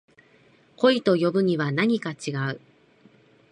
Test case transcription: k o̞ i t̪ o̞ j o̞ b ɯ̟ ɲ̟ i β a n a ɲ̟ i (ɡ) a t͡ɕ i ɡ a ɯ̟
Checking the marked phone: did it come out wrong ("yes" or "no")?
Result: yes